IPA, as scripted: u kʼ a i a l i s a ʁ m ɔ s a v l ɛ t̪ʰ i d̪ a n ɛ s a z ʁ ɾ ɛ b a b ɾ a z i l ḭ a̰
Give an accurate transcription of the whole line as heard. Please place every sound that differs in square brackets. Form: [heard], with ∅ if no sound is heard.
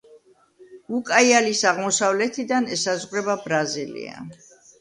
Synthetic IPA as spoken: u kʼ a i a l i s a ʁ m ɔ s a v l ɛ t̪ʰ i d̪ a n ɛ s a z ʁ ɾ ɛ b a b ɾ a z i l ḭ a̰